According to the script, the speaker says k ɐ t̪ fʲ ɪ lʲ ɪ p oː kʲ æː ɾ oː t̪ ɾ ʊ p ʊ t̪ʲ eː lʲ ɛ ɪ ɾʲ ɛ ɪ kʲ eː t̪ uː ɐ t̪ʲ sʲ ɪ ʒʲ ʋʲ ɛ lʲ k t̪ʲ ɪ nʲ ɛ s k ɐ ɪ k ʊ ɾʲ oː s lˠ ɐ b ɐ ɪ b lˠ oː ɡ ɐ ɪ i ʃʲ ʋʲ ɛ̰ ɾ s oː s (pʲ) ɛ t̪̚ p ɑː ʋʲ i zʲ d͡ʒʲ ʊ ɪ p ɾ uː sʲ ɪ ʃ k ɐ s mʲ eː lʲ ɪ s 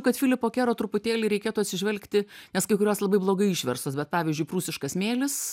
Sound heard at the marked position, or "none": bʲ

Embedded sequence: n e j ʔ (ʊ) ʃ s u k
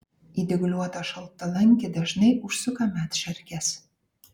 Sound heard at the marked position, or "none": u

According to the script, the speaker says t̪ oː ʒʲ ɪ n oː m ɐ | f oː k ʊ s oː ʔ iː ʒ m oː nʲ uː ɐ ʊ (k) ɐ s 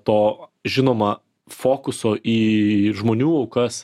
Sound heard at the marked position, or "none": k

